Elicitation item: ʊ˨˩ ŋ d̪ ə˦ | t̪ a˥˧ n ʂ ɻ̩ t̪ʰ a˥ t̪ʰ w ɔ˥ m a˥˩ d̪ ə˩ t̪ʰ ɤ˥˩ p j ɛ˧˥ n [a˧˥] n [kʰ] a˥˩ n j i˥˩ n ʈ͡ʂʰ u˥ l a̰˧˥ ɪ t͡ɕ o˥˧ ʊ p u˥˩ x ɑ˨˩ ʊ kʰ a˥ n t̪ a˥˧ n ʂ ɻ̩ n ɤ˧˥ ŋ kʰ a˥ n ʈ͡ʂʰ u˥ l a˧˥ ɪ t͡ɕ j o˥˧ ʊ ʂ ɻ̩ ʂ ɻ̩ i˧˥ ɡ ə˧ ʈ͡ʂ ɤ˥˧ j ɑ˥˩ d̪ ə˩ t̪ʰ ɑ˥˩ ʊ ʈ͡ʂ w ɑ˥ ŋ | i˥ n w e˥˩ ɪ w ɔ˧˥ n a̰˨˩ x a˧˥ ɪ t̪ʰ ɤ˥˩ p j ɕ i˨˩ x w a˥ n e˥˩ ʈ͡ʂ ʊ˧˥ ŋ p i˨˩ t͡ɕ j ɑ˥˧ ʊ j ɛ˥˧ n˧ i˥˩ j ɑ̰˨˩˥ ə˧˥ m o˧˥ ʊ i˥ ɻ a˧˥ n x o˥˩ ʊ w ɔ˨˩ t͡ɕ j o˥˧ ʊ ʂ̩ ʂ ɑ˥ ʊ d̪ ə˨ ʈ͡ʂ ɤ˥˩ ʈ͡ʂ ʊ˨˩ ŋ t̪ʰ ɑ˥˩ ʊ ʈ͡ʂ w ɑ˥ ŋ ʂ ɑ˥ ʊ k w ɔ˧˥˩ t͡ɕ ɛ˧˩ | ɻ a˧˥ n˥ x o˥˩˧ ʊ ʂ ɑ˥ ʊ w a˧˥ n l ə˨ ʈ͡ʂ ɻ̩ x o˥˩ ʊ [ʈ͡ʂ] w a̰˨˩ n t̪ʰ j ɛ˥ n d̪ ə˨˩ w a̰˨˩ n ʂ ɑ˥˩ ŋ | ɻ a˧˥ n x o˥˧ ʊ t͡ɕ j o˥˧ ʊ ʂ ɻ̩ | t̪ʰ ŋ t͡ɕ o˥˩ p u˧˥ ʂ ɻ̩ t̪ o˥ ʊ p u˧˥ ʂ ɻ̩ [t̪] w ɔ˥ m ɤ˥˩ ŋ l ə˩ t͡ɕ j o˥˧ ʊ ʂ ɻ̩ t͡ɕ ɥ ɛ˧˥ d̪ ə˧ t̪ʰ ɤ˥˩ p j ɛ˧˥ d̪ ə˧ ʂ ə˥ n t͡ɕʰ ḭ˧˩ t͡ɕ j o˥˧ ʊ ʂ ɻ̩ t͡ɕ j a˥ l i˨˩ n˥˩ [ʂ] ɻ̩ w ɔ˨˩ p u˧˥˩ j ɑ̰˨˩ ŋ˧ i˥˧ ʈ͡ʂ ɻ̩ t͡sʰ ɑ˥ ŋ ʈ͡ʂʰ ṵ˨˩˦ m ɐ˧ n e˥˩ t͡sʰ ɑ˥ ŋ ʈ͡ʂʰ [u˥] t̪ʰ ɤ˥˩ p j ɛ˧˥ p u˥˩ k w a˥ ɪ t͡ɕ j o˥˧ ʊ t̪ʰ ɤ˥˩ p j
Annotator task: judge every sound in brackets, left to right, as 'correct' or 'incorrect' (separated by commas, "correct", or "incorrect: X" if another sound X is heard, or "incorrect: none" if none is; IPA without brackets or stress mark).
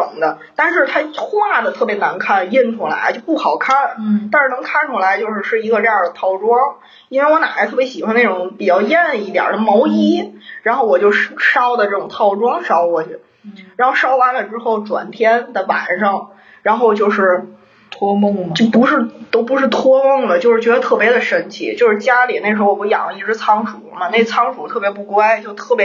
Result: correct, correct, correct, incorrect: t̪ʰ, correct, incorrect: u˨˩